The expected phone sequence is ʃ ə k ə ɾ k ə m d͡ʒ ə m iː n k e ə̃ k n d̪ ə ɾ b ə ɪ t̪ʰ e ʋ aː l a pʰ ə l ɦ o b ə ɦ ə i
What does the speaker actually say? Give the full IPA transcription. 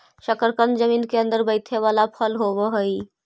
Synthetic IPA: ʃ ə k ə ɾ k ə n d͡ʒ ə m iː n k e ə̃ n d̪ ə ɾ b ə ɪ t̪ʰ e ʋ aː l a pʰ ə l ɦ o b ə ɦ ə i